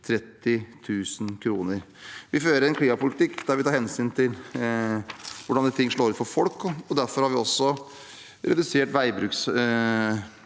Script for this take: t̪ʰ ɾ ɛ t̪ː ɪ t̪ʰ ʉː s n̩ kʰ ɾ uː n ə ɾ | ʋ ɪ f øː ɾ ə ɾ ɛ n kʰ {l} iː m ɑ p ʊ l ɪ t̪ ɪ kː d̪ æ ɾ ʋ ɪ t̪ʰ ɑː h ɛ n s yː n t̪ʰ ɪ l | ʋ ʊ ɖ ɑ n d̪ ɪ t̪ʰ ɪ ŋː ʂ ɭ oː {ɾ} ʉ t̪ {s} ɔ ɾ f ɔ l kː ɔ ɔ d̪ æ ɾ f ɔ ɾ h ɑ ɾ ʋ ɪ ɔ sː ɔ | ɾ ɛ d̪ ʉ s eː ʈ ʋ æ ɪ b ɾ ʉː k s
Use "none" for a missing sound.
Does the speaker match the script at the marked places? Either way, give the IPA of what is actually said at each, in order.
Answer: l, ɾ, f

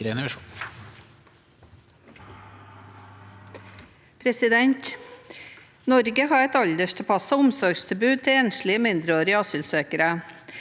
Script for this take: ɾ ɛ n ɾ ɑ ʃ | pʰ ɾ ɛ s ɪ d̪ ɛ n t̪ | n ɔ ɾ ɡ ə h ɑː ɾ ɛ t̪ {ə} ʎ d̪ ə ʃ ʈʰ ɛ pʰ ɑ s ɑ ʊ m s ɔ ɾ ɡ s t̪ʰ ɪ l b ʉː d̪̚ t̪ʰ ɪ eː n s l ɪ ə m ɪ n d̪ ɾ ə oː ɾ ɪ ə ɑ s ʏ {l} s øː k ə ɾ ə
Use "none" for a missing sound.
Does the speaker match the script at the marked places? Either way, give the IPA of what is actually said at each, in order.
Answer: ɑ, l

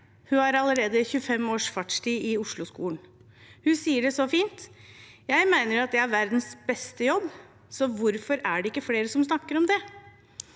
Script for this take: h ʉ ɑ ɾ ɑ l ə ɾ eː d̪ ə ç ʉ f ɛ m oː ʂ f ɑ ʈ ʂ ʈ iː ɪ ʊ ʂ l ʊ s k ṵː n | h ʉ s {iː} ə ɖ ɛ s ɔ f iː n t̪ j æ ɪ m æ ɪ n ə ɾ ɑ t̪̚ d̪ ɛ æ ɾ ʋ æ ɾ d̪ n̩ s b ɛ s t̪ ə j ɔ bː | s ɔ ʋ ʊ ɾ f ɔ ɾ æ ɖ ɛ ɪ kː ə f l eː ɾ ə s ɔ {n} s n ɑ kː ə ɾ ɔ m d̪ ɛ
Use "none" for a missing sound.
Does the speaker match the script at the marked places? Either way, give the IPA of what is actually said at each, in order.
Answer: iː, m

